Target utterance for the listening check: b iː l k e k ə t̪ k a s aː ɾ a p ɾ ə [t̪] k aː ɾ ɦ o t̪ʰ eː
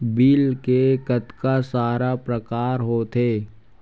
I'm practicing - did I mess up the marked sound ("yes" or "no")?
yes